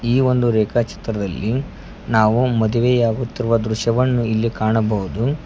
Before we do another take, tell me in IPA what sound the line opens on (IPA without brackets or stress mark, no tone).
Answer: iː